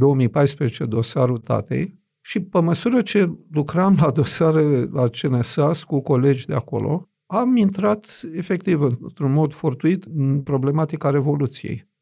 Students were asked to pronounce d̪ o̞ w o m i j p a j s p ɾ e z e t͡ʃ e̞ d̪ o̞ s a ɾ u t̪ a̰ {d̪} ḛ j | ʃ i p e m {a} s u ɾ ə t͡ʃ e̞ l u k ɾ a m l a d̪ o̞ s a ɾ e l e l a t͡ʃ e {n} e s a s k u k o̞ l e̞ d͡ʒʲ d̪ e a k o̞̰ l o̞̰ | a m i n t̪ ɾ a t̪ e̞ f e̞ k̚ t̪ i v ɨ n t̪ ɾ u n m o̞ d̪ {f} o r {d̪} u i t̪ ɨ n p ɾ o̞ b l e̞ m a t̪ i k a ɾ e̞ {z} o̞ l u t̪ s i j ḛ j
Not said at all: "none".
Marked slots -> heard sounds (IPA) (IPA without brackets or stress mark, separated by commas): t̪, ə, n, f, t̪, v